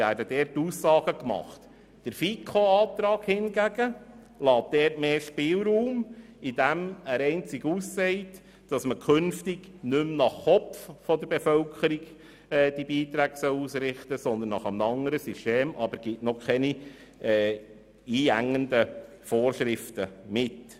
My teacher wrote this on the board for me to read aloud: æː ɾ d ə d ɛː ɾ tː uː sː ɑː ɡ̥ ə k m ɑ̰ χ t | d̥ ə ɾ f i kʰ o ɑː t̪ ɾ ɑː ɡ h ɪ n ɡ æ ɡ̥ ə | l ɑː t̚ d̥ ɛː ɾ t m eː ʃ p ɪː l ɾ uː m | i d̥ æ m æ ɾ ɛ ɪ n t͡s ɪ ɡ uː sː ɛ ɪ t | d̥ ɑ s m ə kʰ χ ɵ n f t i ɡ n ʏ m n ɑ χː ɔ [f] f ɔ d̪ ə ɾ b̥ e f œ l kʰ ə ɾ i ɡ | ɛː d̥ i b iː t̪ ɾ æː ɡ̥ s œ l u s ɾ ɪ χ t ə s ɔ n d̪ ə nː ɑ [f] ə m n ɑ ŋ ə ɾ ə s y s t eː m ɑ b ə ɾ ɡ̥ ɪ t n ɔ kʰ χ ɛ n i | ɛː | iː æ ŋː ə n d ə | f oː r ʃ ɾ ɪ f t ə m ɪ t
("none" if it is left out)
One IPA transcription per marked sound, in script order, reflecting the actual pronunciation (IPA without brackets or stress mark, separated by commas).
f, χ